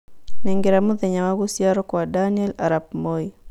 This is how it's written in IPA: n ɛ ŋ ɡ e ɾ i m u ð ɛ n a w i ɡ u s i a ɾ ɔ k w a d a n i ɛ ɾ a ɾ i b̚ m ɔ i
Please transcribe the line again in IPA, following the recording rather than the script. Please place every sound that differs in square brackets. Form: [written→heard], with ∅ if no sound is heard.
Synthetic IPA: n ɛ ŋ ɡ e ɾ [i→a] m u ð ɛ [n→ɲ] a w [i→a] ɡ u s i a ɾ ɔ k w a d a n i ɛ [ɾ→l] a ɾ [i→a] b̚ m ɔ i

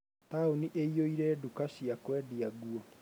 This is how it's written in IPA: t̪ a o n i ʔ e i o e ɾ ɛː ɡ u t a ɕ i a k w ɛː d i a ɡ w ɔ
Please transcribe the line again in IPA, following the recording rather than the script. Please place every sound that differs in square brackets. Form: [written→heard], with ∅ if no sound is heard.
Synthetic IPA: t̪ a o n i ʔ e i o [e→i] ɾ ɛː [ɡ→d] u [t→k] a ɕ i a k w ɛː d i a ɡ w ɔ

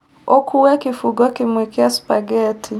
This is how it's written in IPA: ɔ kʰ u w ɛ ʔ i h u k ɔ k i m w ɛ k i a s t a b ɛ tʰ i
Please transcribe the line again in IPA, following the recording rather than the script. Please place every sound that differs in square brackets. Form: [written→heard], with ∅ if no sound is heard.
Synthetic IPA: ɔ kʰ u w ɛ [ʔ→k] i [h→f] u [k→ɡ] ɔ k i m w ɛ k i a s [t→p] a [b→ɡ] ɛ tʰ i

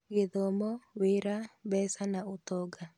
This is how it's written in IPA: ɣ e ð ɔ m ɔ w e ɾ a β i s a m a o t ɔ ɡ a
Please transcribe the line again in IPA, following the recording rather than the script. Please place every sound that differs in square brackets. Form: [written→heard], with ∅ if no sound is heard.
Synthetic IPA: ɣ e ð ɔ m ɔ w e ɾ a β [i→ɛ] s a [m→n] a o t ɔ ɡ a

